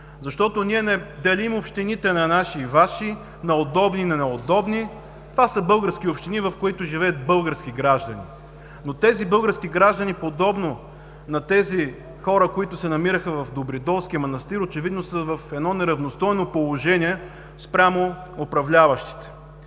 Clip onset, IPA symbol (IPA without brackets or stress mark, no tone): z